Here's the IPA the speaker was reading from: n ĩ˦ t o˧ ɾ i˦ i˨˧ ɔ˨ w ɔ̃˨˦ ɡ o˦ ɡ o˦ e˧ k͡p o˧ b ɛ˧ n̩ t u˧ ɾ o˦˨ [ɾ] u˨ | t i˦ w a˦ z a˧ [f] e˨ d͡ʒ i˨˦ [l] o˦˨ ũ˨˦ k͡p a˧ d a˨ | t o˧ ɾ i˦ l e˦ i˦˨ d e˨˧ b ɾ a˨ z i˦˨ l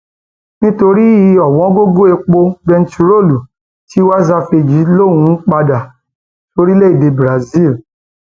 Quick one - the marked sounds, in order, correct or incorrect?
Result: incorrect: l, correct, correct

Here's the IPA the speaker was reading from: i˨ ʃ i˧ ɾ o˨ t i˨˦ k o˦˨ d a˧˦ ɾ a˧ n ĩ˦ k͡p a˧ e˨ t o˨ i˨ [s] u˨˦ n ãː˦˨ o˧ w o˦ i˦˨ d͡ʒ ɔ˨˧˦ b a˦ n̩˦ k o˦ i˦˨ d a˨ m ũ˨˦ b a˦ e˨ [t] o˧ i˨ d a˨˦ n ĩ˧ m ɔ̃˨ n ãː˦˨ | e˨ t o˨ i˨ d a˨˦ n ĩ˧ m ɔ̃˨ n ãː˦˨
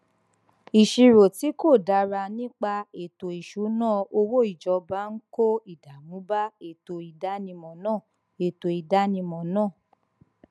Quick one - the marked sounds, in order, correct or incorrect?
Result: incorrect: ʃ, correct

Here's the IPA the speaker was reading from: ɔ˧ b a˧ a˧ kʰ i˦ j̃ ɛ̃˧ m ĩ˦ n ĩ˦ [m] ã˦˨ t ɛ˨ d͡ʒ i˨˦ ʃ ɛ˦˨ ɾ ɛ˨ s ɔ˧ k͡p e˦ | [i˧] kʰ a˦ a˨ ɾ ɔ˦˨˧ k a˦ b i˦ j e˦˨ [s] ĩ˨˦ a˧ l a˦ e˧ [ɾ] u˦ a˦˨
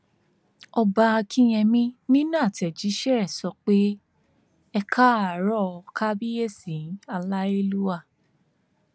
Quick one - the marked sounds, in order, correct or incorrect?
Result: incorrect: n, incorrect: ɛ˧, correct, incorrect: l

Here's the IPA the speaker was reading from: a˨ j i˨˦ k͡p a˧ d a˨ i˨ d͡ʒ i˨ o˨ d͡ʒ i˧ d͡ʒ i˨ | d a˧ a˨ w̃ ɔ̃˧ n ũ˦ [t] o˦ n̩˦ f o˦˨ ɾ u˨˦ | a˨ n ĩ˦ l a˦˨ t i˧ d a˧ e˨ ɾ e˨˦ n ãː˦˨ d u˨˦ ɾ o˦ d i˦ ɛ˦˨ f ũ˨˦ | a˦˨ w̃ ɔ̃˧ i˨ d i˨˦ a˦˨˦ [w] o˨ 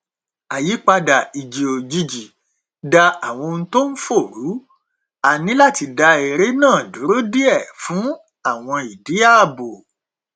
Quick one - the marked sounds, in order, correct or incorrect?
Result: correct, incorrect: b

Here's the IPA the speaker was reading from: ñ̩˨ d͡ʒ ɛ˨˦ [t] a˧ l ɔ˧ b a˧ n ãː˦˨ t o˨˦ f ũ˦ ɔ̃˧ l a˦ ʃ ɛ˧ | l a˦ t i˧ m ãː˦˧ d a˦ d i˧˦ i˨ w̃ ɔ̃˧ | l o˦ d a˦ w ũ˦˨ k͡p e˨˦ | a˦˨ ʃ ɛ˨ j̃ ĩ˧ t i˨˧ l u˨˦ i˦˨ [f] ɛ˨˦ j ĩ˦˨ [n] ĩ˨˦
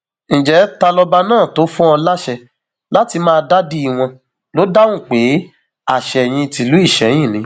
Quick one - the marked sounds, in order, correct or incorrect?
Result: correct, incorrect: ʃ, correct

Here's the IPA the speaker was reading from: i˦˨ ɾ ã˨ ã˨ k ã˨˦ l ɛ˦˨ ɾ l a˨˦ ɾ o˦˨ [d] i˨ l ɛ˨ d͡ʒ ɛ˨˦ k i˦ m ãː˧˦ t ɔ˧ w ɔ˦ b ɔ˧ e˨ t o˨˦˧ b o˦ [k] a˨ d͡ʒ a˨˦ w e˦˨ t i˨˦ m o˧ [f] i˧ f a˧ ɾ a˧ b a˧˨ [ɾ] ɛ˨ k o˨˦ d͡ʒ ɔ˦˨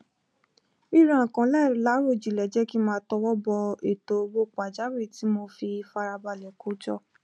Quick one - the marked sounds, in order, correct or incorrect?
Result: incorrect: d͡ʒ, incorrect: k͡p, correct, incorrect: l

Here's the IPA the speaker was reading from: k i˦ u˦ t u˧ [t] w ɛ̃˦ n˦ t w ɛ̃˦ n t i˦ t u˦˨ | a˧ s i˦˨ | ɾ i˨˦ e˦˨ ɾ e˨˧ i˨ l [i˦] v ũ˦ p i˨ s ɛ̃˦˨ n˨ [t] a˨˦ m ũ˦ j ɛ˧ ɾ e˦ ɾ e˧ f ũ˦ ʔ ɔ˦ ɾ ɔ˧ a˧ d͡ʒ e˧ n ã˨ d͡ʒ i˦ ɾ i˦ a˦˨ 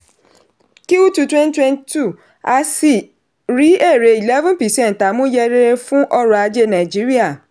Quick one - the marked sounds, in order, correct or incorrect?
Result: correct, incorrect: ɛ˦, correct

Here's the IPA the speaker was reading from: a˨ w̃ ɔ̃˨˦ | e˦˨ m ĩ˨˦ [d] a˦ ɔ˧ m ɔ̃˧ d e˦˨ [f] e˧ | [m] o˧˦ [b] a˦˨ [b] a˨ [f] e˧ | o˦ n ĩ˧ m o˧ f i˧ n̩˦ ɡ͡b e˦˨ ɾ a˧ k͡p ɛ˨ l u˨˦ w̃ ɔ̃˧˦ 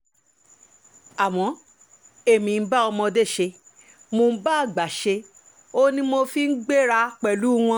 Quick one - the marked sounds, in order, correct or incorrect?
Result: incorrect: b, incorrect: ʃ, correct, correct, incorrect: ɡ͡b, incorrect: ʃ

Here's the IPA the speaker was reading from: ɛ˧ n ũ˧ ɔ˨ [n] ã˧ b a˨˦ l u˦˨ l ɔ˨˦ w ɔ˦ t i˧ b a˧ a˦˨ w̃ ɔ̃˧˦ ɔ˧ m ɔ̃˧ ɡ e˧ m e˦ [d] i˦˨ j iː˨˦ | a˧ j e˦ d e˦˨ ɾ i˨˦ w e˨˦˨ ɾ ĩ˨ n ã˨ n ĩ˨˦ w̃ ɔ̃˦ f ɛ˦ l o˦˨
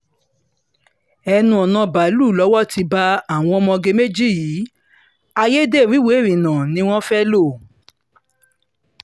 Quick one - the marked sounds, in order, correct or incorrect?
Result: correct, incorrect: d͡ʒ

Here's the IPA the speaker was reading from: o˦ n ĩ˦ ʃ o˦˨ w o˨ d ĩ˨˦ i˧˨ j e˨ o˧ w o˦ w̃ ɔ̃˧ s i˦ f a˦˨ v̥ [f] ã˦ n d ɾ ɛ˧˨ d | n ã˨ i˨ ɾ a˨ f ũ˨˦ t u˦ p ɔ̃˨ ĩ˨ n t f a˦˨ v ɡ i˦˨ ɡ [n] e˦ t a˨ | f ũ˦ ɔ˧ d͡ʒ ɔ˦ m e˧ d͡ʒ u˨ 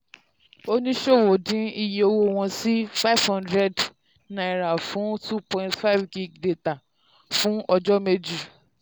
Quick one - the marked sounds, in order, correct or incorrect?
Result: incorrect: h, incorrect: d

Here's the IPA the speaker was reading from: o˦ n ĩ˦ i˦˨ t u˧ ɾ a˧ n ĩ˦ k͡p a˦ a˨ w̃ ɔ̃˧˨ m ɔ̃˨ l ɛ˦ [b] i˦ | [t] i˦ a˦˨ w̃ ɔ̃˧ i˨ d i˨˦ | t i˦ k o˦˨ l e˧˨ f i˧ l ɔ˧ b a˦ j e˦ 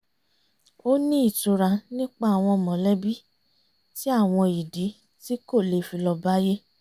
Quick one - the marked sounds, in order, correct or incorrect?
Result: correct, correct

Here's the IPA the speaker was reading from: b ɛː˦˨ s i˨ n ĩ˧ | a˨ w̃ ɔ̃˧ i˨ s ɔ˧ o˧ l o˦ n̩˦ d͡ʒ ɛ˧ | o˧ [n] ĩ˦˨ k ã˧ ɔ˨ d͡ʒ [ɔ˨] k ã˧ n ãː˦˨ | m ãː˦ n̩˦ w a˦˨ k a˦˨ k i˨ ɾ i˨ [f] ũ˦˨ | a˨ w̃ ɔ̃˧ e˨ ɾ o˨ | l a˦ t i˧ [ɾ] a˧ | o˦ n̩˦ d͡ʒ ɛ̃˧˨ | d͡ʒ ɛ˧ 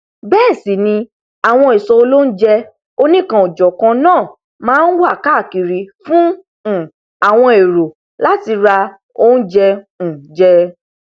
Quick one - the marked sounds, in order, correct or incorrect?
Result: correct, correct, correct, correct

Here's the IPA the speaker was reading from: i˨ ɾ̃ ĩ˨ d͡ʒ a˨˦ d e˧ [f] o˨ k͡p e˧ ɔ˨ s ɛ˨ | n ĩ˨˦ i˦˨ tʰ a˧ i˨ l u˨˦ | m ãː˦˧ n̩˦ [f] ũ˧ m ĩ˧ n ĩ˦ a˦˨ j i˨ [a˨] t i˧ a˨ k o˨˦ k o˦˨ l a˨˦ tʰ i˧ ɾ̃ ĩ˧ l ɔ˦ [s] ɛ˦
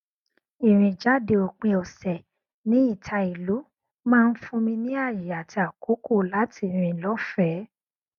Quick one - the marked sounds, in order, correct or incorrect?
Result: incorrect: none, correct, correct, incorrect: f

